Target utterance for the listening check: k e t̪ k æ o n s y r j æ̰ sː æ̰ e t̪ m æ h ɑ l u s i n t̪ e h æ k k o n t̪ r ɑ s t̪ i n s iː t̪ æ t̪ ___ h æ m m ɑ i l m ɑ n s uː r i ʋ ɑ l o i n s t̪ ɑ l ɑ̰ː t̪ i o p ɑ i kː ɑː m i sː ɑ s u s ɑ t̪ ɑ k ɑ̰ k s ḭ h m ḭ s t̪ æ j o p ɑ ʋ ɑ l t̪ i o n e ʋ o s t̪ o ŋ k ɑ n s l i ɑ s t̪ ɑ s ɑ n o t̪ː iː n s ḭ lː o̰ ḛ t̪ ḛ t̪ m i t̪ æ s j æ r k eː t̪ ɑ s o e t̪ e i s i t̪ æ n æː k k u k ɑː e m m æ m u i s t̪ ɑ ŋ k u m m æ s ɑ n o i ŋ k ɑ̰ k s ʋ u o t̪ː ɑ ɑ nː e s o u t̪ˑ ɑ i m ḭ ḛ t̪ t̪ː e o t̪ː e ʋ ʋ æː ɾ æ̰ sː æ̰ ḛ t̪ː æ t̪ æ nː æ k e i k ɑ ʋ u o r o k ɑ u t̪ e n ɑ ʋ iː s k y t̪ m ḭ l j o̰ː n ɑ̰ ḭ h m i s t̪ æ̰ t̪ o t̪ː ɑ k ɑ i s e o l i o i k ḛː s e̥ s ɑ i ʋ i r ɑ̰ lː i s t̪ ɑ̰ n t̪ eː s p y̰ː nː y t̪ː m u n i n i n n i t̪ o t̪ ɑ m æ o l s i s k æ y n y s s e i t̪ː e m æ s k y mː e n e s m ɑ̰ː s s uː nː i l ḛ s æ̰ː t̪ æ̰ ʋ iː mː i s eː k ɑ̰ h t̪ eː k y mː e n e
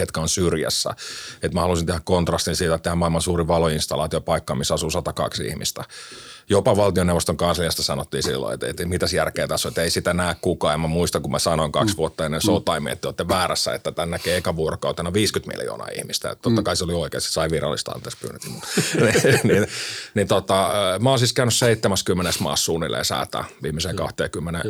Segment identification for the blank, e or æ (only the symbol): e